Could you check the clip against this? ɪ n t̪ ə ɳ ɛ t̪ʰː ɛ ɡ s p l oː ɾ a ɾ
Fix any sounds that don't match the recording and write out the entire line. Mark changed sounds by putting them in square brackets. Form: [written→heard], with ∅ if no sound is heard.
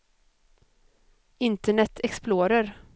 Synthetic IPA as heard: ɪ n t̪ ə ɳ ɛ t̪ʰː ɛ [ɡ→k] s p l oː ɾ [a→ə] ɾ